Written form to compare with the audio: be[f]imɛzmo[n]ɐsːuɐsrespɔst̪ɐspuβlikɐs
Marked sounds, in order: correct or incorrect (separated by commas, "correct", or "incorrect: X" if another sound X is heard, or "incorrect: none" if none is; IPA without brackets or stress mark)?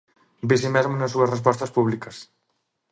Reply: incorrect: s, correct